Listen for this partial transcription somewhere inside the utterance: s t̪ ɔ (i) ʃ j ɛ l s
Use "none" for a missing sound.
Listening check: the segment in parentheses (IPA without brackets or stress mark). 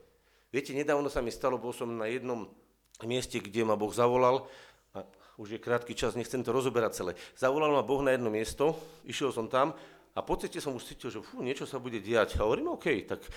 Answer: i